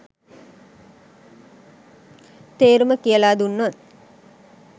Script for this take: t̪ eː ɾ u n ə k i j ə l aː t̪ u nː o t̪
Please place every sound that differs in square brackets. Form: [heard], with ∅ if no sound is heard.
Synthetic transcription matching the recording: t̪ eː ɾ u [m] ə k i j ə l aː [d̪] u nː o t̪

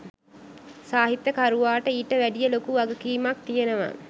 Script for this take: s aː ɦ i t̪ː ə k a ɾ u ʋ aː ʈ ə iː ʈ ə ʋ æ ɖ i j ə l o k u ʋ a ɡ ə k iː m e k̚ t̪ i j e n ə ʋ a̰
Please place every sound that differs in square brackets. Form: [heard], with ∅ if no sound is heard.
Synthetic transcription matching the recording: s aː ɦ i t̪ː ə k a ɾ u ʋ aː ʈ ə iː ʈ ə ʋ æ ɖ i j ə l o k u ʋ a ɡ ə k iː m [a] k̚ t̪ i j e n ə ʋ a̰

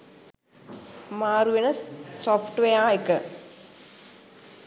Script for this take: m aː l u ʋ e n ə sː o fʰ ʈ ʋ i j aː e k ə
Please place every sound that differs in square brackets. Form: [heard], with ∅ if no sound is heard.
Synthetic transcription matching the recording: m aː [ɾ] u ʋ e n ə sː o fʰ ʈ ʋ [e] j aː e k ə

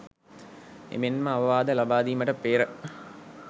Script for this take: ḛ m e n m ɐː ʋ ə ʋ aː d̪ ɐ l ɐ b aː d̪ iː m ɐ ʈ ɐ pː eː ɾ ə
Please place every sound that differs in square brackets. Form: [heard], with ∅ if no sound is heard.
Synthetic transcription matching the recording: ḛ m e n m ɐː ʋ [ɐ] ʋ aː d̪ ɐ l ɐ b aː d̪ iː m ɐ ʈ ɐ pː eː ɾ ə

